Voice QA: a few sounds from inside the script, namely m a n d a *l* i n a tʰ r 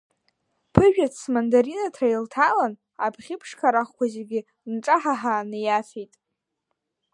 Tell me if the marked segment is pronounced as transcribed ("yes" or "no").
no